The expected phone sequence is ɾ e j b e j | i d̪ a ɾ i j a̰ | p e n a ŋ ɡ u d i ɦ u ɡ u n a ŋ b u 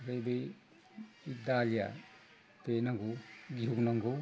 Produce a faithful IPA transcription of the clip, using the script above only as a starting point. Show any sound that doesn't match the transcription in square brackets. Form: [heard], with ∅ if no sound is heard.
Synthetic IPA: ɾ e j b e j | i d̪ a [l] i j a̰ | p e n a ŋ ɡ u [ɡ] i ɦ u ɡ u n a ŋ [ɡ] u